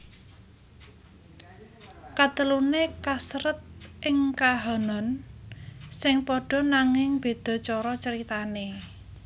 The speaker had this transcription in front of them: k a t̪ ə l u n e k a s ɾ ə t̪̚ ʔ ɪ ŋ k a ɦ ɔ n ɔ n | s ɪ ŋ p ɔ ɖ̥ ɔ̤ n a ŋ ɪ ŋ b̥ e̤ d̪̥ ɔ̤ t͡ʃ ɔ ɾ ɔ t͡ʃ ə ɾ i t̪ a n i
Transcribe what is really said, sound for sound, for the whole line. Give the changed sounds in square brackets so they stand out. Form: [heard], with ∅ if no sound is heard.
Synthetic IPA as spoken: k a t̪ ə l u n e k a s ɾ ə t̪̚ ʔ ɪ ŋ k a ɦ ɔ n ɔ n | s ɪ ŋ p ɔ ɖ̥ ɔ̤ n a ŋ ɪ ŋ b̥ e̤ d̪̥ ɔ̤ t͡ʃ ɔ ɾ ɔ t͡ʃ ə ɾ i t̪ a n [e]